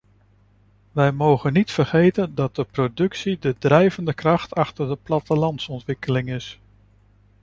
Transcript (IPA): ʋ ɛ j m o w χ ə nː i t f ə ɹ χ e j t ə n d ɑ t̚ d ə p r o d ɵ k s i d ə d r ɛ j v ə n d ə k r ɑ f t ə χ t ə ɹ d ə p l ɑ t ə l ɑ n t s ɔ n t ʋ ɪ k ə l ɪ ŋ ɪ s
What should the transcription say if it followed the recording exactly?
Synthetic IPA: ʋ ɛ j m o w χ ə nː i t f ə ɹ χ e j t ə n d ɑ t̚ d ə p r o d ɵ k s i d ə d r ɛ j v ə n d ə k r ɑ χ t ɑ χ t ə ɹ d ə p l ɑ t ə l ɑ n t s ɔ n t ʋ ɪ k ə l ɪ ŋ ɪ s